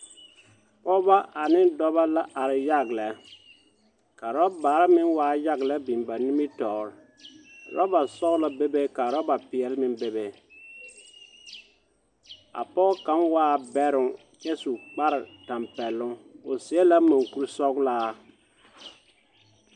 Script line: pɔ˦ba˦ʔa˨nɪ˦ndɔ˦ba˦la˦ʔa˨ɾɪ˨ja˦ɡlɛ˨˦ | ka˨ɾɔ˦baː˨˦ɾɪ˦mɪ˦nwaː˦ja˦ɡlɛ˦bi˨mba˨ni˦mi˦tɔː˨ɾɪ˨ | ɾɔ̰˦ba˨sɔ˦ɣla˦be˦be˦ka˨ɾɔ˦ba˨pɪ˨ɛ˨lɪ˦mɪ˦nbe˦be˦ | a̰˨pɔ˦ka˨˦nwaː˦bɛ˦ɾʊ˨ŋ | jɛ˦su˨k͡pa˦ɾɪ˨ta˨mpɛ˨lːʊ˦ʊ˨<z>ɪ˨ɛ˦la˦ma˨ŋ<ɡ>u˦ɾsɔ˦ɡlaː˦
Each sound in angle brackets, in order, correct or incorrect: incorrect: s, incorrect: k

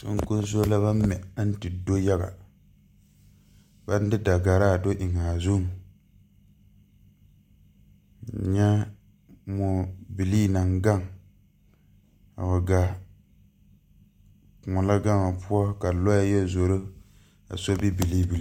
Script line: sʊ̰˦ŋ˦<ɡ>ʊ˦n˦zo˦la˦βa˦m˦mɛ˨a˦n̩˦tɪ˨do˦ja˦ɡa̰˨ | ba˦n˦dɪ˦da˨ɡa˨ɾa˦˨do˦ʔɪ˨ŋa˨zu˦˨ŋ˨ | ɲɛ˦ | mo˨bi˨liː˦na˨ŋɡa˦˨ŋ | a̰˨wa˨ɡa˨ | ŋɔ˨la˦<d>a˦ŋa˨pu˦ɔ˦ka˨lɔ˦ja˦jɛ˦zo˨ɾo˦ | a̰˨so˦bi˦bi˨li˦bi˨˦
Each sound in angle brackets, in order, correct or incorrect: incorrect: k, incorrect: ɡ

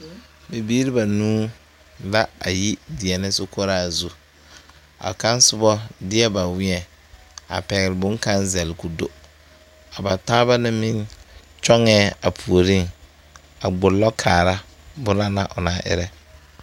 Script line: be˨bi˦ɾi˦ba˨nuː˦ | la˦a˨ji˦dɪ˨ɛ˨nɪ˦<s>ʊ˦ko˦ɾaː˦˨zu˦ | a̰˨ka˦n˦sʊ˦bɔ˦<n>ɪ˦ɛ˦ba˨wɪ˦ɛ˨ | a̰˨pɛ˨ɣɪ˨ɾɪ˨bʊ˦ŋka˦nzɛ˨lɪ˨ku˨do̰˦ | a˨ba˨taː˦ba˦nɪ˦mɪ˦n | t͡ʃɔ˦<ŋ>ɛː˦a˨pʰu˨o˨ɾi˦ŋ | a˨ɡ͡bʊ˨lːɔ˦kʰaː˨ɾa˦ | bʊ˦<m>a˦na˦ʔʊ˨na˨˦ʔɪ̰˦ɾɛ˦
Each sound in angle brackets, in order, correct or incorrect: correct, incorrect: d, correct, incorrect: n

